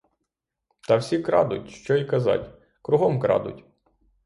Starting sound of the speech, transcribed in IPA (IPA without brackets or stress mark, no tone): t̪